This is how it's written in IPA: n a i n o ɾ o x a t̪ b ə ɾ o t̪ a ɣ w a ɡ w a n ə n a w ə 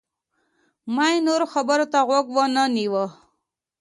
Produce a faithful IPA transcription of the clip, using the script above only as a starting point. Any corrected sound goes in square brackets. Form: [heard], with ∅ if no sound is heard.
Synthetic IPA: [m] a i n o ɾ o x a [∅] b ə ɾ o t̪ a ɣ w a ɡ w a n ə n [i] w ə